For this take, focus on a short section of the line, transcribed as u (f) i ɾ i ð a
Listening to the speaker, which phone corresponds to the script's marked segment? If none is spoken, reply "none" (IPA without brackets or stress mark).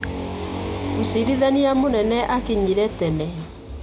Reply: s